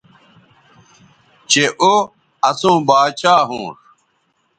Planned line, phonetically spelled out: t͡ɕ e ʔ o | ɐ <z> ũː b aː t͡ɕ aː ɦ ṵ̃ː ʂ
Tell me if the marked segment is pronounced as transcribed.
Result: no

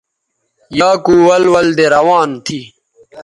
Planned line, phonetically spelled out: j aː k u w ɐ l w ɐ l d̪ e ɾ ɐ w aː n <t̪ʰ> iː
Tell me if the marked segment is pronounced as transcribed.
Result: yes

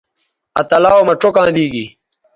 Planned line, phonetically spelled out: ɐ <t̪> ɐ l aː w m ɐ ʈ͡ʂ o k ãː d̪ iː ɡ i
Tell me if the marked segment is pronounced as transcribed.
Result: yes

